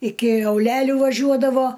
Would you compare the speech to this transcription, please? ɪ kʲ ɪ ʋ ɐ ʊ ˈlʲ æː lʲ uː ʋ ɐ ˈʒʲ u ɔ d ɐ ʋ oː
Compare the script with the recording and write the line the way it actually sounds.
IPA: ɪ kʲ ɪ ɐ ʊ ˈlʲ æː lʲ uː ʋ ɐ ˈʒʲ u ɔ d ɐ ʋ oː